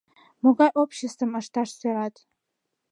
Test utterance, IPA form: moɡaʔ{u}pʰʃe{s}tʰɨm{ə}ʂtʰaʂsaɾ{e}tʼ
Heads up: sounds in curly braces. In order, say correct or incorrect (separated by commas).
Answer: incorrect, correct, incorrect, incorrect